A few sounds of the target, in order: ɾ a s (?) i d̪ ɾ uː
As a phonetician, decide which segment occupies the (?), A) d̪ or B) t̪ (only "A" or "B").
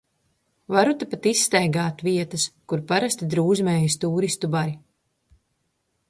B